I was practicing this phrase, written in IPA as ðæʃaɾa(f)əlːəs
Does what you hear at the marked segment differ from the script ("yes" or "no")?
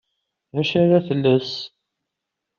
yes